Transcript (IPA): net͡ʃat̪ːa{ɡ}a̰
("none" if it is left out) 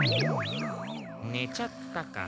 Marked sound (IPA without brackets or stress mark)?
k